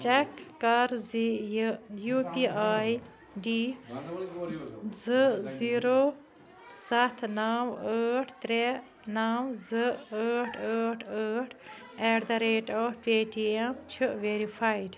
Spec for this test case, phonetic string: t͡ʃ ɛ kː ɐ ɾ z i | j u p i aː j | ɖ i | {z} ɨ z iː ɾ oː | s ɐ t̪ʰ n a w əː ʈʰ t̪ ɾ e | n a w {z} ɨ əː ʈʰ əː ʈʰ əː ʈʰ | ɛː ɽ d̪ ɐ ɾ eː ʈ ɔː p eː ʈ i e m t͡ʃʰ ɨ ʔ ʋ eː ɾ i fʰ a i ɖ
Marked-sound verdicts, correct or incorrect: correct, correct

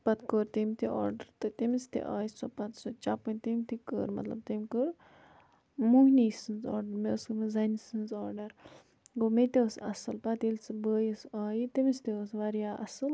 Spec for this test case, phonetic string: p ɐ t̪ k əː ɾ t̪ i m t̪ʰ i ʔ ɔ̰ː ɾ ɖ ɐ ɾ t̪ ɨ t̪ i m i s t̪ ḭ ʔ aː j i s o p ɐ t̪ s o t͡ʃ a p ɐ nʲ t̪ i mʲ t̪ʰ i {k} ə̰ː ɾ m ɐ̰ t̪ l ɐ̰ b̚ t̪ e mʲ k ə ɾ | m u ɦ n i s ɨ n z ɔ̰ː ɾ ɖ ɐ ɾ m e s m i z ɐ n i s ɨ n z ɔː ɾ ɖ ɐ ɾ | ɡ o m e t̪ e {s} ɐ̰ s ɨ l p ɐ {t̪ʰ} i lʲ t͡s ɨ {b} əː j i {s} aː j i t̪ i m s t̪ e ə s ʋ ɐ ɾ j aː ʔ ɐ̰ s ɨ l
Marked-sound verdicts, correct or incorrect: correct, correct, incorrect: t̪, correct, correct

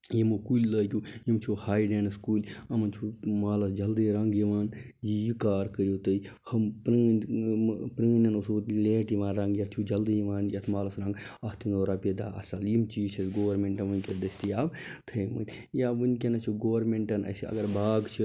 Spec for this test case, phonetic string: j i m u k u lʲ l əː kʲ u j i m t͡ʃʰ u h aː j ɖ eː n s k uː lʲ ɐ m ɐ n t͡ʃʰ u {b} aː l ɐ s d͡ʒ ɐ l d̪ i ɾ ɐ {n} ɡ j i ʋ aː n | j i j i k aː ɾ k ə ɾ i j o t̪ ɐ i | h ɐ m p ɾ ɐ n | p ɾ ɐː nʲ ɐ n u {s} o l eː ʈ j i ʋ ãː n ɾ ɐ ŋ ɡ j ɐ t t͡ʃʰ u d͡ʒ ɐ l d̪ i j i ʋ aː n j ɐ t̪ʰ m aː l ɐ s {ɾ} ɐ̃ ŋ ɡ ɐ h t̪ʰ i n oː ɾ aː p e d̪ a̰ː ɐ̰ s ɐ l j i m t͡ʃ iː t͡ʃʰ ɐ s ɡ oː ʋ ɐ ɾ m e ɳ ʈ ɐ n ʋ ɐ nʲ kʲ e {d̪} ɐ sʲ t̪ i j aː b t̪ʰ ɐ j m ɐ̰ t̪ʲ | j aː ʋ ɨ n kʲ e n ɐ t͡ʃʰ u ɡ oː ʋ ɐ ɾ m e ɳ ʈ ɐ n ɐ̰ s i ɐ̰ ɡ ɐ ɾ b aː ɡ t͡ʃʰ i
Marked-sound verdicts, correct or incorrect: incorrect: m, incorrect: ŋ, correct, correct, correct

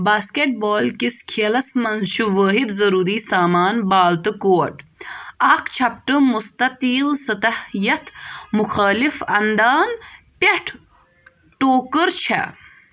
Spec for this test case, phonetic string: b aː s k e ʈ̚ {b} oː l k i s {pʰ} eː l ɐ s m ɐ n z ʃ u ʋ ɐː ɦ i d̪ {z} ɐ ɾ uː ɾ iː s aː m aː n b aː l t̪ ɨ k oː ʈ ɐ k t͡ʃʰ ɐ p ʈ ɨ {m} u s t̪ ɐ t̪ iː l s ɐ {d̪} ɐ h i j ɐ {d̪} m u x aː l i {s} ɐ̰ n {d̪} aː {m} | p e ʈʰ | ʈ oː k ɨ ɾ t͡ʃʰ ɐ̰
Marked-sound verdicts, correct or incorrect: correct, incorrect: kʰ, correct, correct, incorrect: t̪, incorrect: t̪, incorrect: f, correct, incorrect: n

